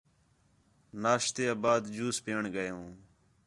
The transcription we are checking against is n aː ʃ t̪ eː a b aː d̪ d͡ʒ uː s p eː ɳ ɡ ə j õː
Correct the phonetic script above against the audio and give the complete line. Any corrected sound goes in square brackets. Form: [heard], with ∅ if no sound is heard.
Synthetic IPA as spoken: n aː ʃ t̪ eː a b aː d̪ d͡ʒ uː s p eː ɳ ɡ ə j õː